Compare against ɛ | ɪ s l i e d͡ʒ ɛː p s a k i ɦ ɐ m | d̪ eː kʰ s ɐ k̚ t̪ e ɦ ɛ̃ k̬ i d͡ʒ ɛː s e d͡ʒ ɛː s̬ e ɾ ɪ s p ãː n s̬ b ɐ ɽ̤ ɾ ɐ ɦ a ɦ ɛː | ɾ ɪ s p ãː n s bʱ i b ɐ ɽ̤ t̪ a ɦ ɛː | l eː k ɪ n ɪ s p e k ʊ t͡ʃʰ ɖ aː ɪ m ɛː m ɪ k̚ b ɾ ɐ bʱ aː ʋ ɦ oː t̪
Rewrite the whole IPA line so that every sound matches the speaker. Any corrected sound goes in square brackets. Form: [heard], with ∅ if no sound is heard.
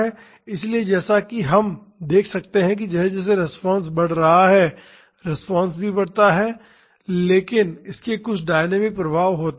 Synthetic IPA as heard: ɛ | ɪ s l i e d͡ʒ ɛː [∅] s a k i ɦ ɐ m | d̪ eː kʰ s ɐ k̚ t̪ e ɦ ɛ̃ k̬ i d͡ʒ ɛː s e d͡ʒ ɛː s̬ e ɾ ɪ s p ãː n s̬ b ɐ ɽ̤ ɾ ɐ ɦ a ɦ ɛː | ɾ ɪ s p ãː n s bʱ i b ɐ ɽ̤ t̪ a ɦ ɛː | l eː k ɪ n ɪ s [k] e k ʊ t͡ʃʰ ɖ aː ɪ [n] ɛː m ɪ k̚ [p] ɾ ɐ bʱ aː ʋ ɦ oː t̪